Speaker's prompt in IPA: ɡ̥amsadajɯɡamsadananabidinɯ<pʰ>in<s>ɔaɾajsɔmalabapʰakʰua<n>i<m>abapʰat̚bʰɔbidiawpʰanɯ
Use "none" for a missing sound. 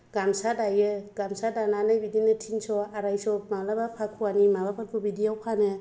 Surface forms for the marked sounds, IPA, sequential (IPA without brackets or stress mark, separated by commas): tʰ, s, n, m